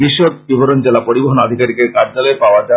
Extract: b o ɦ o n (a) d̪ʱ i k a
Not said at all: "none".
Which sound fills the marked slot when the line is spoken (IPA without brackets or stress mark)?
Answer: a